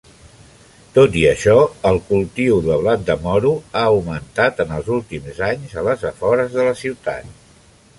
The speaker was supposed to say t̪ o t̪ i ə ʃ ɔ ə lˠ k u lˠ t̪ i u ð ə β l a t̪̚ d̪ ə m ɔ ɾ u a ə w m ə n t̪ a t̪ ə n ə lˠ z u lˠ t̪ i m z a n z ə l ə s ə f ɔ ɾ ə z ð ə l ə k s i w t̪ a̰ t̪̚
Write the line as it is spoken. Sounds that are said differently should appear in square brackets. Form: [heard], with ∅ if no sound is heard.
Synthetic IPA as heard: t̪ o t̪ i ə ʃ ɔ ə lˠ k u lˠ t̪ i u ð ə β l a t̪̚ d̪ ə m ɔ ɾ u a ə w m ə n t̪ a t̪ ə n ə lˠ z u lˠ t̪ i m z a [ɲ] z ə l ə [z] ə f ɔ ɾ ə z ð ə l ə [∅] s i w t̪ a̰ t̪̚